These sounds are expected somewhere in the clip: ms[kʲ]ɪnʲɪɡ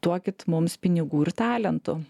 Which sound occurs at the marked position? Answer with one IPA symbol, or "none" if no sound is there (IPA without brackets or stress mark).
pʲ